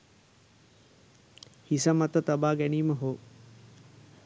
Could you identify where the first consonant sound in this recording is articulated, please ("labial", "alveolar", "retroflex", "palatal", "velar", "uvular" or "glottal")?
glottal